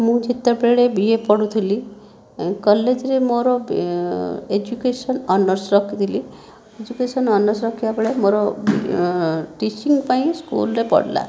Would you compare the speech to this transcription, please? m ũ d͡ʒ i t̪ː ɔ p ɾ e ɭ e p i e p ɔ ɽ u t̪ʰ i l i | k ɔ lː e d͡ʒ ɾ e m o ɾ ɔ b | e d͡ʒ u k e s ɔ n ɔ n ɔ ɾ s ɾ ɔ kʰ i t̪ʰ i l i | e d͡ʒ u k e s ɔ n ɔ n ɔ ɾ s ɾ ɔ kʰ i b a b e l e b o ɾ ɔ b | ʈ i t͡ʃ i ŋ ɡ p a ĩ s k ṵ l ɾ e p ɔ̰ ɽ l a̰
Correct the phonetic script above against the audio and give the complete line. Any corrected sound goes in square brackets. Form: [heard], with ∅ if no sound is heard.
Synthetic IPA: m ũ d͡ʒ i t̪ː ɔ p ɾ e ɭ e [b] i e p ɔ ɽ u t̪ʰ i l i | k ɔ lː e d͡ʒ ɾ e m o ɾ ɔ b | e d͡ʒ u k e s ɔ n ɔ n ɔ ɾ s ɾ ɔ kʰ i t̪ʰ i l i | e d͡ʒ u k e s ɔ n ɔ n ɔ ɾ s ɾ ɔ kʰ i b a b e [ɭ] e [m] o ɾ ɔ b | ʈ i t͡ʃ i ŋ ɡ p a ĩ s k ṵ l ɾ e p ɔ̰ ɽ l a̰